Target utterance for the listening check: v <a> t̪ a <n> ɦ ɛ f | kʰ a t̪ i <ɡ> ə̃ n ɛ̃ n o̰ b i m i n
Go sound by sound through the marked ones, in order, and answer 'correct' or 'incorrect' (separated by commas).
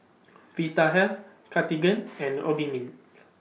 incorrect, incorrect, correct